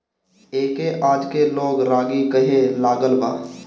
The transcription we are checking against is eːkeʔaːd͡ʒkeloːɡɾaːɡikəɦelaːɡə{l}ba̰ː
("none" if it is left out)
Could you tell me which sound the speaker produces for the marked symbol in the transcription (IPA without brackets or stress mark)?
l